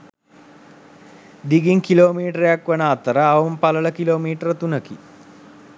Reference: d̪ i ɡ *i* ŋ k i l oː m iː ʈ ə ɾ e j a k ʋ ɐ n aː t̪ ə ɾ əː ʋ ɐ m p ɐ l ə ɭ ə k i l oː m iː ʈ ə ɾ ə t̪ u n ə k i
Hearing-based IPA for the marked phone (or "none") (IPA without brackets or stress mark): i